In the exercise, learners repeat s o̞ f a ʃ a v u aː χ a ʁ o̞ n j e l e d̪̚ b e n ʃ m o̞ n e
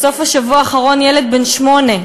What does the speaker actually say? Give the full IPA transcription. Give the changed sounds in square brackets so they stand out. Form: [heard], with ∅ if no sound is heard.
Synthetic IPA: s o̞ f a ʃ a v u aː χ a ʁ o̞ n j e l e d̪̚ b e n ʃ m o̞ n e